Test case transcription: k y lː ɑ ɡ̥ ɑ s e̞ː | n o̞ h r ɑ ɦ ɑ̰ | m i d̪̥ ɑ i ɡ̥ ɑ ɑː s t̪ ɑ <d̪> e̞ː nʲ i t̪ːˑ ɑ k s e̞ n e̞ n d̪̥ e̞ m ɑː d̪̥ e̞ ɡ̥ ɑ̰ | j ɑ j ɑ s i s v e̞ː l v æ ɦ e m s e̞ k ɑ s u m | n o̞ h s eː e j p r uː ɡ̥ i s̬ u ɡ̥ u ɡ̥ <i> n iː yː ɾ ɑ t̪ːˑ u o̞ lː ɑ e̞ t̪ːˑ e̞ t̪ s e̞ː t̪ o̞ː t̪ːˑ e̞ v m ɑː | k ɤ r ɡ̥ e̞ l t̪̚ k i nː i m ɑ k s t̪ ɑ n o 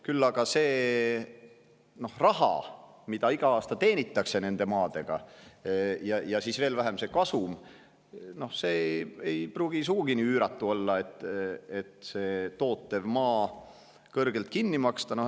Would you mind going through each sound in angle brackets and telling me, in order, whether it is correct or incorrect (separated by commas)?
incorrect, correct